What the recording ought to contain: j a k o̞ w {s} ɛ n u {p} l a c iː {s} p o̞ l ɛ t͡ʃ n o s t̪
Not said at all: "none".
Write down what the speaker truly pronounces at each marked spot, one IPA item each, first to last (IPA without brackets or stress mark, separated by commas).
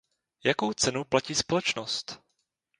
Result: t͡s, p, s